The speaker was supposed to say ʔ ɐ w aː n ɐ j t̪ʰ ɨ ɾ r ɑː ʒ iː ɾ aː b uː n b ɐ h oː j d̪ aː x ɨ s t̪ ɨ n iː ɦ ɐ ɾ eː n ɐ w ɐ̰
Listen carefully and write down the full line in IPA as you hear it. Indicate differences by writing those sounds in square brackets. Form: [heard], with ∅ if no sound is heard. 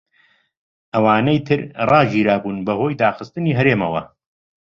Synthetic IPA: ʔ ɐ w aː n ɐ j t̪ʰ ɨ ɾ r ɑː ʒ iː ɾ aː b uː n b ɐ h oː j d̪ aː x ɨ s t̪ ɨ n iː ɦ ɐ ɾ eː [m] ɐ w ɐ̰